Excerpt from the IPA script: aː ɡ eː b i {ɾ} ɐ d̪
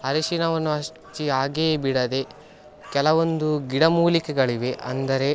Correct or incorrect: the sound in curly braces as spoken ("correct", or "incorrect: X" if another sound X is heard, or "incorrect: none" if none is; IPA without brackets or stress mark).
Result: incorrect: ɽ